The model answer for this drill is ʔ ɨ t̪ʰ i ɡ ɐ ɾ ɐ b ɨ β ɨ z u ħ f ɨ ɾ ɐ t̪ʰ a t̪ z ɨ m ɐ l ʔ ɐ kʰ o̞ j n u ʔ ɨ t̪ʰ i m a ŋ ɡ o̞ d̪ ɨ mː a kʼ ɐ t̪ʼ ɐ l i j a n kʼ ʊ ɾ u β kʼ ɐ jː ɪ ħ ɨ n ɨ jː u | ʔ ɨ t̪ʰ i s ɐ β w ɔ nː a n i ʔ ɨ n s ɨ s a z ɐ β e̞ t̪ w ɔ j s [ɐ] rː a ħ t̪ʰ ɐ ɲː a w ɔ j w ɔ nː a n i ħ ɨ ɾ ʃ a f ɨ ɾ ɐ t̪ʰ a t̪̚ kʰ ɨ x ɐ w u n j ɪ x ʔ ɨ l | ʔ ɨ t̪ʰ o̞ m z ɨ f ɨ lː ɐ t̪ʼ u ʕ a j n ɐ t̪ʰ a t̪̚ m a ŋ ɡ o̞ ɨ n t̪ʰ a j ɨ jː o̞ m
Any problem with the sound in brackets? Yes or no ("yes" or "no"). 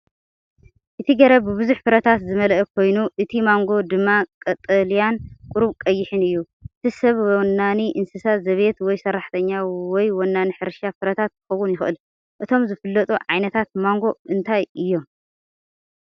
no